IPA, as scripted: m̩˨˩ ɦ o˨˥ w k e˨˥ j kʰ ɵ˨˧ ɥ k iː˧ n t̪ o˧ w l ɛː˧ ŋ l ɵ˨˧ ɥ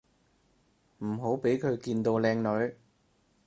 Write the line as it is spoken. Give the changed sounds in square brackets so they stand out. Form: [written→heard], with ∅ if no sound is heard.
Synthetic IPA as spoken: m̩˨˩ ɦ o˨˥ w [k→p] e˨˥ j kʰ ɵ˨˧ ɥ k iː˧ n t̪ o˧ w l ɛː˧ ŋ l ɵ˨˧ ɥ